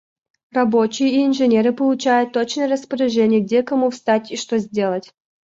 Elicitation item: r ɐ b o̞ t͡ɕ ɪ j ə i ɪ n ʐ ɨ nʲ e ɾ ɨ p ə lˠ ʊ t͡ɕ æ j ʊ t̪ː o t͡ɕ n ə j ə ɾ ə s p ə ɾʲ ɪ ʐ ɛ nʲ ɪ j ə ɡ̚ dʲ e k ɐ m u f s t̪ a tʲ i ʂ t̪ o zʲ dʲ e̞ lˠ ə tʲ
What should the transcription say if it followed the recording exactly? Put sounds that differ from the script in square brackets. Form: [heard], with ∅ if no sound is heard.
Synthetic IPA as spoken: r ɐ b o̞ t͡ɕ ɪ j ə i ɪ n ʐ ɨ nʲ e ɾ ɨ p ə lˠ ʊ t͡ɕ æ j ʊ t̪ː o t͡ɕ n ə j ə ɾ ə s p ə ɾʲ ɪ ʐ ɛ nʲ ɪ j ə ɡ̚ dʲ e k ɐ m u f s t̪ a tʲ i ʂ t̪ o zʲ dʲ e̞ lˠ ə tʲ